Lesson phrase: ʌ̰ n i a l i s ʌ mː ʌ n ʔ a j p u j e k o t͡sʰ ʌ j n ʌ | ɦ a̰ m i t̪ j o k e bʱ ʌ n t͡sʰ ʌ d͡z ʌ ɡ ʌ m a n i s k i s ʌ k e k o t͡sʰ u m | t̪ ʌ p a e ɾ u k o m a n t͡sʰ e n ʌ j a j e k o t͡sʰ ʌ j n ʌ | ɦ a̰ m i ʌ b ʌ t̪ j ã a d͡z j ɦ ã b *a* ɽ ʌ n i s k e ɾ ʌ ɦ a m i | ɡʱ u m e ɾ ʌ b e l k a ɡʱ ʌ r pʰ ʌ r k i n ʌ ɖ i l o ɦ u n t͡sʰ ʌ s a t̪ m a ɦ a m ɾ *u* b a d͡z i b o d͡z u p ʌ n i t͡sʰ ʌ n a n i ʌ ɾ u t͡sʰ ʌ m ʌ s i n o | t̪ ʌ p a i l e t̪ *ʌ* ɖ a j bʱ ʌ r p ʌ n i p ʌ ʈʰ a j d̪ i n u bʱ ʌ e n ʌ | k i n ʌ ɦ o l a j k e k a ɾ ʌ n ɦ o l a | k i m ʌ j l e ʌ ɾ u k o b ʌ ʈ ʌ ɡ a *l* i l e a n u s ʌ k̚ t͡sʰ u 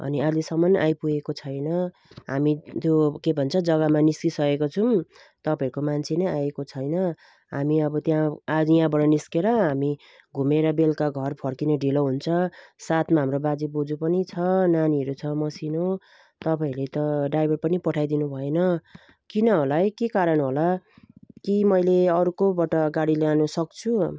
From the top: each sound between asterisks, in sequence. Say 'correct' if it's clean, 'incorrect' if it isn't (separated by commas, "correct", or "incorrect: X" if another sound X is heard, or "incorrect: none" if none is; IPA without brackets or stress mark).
incorrect: ʌ, incorrect: o, correct, incorrect: ɽ